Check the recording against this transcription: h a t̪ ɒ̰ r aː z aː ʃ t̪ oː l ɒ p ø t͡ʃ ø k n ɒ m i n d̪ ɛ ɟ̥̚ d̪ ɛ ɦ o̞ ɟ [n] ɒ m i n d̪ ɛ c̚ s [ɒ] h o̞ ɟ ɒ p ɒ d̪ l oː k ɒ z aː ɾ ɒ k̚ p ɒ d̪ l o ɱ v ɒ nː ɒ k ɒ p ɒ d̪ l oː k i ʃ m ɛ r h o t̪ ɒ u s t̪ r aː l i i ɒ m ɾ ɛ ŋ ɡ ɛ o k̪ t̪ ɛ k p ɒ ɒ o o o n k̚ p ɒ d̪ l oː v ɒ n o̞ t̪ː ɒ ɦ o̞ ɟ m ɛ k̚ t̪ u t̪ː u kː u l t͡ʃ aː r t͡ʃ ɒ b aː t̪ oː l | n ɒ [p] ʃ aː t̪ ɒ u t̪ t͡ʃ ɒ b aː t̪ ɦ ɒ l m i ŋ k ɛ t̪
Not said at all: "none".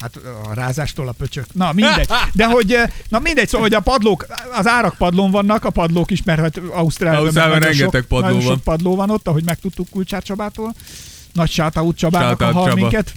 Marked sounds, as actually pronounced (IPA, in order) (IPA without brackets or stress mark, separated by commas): n, o, c